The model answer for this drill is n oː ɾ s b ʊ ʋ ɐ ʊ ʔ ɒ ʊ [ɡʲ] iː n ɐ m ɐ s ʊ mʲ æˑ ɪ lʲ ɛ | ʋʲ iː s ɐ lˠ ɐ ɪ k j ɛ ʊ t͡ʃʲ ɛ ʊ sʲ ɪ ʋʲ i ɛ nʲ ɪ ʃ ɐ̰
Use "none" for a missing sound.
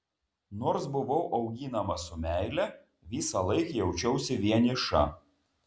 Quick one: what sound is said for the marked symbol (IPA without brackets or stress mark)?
ɡʲ